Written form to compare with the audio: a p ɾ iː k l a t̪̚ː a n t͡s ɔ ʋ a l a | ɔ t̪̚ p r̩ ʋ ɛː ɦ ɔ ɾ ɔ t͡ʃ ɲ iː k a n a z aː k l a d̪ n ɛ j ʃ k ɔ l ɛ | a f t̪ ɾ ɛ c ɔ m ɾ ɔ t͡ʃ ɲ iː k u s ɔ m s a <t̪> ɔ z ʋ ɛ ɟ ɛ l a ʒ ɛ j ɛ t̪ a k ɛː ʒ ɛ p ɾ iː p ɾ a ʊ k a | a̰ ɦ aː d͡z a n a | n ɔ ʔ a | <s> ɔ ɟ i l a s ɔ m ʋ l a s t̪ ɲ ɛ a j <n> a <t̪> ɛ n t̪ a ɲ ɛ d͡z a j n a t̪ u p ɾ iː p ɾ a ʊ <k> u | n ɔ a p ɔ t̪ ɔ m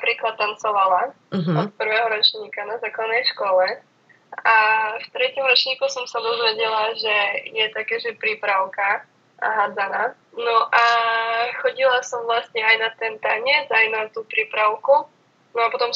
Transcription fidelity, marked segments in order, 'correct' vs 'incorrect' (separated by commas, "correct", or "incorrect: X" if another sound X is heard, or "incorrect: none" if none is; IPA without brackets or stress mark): incorrect: d̪, incorrect: x, correct, correct, correct